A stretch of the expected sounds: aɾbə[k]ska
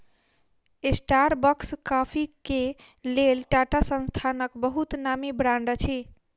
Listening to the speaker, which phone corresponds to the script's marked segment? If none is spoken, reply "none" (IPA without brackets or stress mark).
k